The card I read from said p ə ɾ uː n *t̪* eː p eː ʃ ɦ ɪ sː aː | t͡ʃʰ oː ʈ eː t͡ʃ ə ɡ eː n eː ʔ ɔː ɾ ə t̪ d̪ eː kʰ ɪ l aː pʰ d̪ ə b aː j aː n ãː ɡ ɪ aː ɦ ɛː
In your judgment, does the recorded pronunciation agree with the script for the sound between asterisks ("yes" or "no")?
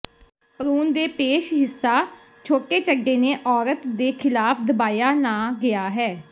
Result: no